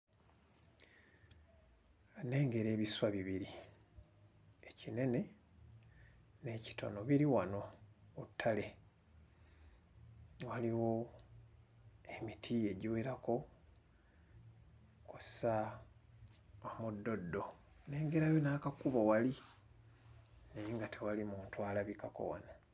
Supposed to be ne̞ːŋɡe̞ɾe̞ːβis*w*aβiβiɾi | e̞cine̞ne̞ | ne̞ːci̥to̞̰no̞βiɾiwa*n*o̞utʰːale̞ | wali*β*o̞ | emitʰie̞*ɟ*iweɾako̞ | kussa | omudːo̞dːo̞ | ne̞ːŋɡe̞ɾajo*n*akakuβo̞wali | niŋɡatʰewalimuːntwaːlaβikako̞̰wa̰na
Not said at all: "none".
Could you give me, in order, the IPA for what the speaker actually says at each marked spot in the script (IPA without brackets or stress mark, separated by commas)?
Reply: w, n, w, ɟ, n